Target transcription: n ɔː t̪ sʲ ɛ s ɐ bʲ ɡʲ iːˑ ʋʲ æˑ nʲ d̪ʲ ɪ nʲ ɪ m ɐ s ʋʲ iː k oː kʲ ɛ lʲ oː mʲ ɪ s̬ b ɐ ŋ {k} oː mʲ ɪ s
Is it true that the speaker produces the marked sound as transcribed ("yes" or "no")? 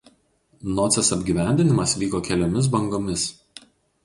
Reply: no